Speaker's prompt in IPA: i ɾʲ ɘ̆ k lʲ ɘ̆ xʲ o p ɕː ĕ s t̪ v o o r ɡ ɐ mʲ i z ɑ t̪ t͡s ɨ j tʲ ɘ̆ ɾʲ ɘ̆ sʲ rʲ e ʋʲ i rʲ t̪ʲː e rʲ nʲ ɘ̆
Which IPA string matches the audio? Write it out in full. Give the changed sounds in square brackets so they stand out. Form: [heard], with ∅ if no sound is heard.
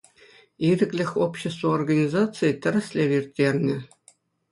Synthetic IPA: i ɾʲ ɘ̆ k lʲ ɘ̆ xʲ o p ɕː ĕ s t̪ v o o r ɡ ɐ [nʲ] i z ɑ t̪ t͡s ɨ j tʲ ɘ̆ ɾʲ ɘ̆ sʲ [lʲ] e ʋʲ i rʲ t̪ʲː e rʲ nʲ ɘ̆